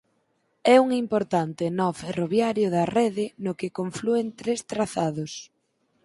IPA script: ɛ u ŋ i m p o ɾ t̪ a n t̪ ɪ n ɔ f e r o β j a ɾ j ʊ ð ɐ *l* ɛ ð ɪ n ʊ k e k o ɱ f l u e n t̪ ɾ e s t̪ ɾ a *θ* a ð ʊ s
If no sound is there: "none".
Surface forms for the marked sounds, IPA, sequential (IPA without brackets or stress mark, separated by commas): r, θ